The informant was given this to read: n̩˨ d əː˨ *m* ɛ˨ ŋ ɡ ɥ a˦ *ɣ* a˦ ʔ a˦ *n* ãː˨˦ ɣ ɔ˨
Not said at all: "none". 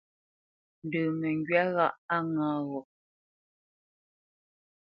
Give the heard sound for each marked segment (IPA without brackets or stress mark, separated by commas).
m, ɣ, ŋ